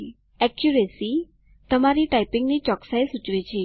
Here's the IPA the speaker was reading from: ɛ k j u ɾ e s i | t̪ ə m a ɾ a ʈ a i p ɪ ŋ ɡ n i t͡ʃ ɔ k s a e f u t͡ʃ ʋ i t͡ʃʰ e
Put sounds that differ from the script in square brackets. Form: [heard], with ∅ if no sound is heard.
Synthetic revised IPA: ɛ k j u ɾ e s i | t̪ ə m a ɾ [i] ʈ a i p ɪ ŋ ɡ n i t͡ʃ ɔ k s a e [s] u t͡ʃ ʋ i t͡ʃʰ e